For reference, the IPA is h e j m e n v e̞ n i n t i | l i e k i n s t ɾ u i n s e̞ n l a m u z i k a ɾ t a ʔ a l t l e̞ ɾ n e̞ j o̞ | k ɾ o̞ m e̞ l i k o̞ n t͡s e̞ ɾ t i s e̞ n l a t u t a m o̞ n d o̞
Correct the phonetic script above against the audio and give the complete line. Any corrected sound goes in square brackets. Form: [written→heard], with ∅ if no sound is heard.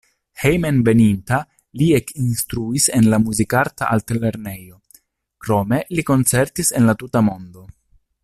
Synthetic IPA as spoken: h e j m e n v e̞ n i n t [i→a] | l i e k i n s t ɾ u i [n→∅] s e̞ n l a m u z i k a ɾ t a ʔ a l t l e̞ ɾ n e̞ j o̞ | k ɾ o̞ m e̞ l i k o̞ n t͡s e̞ ɾ t i s e̞ n l a t u t a m o̞ n d o̞